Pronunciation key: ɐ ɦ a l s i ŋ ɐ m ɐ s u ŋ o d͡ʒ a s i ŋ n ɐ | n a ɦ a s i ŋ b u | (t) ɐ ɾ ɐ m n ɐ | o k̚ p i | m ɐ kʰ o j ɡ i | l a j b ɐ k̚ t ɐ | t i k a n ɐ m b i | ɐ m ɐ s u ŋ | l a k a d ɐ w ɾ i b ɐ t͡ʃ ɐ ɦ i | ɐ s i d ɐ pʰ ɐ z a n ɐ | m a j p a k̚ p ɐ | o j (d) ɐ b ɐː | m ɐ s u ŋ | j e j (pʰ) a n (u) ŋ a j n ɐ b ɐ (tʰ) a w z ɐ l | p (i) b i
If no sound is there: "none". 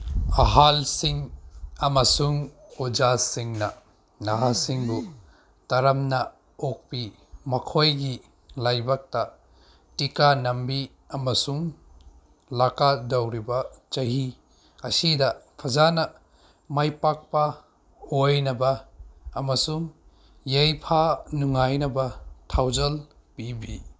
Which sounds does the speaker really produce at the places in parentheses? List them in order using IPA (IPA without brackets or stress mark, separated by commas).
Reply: t, n, pʰ, u, tʰ, i